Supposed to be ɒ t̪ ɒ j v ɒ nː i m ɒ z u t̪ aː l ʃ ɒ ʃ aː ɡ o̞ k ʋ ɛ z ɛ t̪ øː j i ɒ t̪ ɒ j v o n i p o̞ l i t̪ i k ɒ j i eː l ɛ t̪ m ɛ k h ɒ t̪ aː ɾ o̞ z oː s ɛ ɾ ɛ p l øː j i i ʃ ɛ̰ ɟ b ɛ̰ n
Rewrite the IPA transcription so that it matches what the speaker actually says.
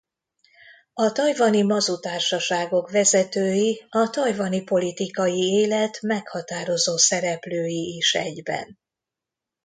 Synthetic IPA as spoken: ɒ t̪ ɒ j v ɒ n i m ɒ z u t̪ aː r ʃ ɒ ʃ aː ɡ o̞ k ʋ ɛ z ɛ t̪ øː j i ɒ t̪ ɒ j v ɒ n i p o̞ l i t̪ i k ɒ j i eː l ɛ t̪ m ɛ k h ɒ t̪ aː ɾ o̞ z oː s ɛ ɾ ɛ p l øː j i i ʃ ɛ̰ ɟ b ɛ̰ n